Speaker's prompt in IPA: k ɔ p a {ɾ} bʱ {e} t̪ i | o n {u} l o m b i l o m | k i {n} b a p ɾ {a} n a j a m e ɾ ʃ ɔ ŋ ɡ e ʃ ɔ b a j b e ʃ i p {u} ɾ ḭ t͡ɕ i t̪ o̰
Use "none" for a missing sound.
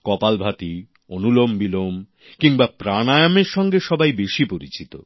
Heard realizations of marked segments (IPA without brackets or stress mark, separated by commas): l, a, u, ŋ, a, o